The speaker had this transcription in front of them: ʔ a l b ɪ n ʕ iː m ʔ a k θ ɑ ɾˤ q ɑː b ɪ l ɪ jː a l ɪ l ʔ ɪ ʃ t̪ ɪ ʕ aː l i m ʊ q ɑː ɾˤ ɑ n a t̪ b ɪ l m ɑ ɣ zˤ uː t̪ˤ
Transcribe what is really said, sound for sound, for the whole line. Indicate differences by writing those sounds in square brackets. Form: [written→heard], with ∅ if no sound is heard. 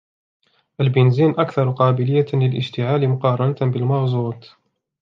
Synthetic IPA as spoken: ʔ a l b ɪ n [ʕ→z] iː [m→n] ʔ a k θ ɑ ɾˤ q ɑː b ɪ l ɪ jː a l ɪ l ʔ ɪ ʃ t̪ ɪ ʕ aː l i m ʊ q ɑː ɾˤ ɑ n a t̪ b ɪ l m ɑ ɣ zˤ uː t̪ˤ